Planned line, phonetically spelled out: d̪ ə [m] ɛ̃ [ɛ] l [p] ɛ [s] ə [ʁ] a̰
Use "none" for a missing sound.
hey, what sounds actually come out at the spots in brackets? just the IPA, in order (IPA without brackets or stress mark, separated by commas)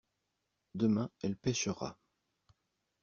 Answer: m, ɛ, p, ʃ, ʁ